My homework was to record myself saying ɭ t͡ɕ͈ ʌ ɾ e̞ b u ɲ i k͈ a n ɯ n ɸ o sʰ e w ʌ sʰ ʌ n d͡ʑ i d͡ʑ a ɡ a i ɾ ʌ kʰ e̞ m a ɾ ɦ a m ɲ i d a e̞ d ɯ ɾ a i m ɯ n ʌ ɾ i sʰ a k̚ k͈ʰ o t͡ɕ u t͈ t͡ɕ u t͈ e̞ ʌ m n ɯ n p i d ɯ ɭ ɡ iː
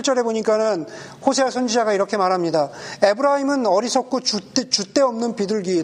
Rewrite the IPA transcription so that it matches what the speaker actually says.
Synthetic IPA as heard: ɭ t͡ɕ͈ ʌ ɾ e̞ b o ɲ i k͈ a n ɯ n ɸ o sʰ e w a sʰ ʌ n d͡ʑ i d͡ʑ a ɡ a i ɾ ʌ kʰ e̞ m a ɾ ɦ a m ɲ i d a e̞ b ɯ ɾ a i m ɯ n ʌ ɾ i sʰ ʌ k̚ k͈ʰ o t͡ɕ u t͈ t͡ɕ u t͈ e̞ ʌ m n ɯ n p i d ɯ ɭ ɡ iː